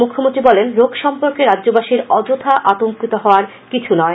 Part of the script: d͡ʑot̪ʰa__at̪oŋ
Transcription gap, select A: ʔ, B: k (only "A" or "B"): A